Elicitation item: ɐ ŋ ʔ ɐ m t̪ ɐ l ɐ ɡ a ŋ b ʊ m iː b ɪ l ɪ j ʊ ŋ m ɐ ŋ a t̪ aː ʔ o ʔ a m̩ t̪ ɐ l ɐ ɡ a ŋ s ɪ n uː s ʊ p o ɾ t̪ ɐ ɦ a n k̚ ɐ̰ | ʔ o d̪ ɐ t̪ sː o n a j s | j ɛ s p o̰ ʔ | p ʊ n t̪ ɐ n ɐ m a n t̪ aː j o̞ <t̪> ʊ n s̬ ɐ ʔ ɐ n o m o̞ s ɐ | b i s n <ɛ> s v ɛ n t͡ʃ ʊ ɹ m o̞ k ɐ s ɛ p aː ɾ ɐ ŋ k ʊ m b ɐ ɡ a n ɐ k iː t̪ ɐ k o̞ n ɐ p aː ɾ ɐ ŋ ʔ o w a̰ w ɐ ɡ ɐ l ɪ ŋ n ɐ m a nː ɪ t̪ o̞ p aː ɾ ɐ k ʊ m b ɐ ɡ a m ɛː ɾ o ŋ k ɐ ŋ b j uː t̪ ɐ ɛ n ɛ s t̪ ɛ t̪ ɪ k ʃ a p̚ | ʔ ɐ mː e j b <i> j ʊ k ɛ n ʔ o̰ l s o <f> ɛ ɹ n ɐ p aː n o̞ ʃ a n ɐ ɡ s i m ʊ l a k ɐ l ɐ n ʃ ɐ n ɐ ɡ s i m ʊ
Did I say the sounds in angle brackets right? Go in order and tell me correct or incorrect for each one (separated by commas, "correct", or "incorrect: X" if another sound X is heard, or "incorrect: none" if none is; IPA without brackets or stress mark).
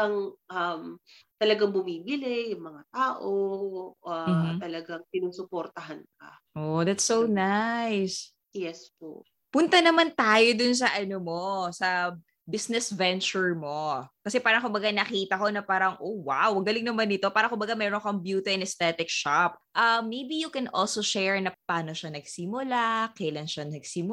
incorrect: d̪, correct, correct, incorrect: ʃ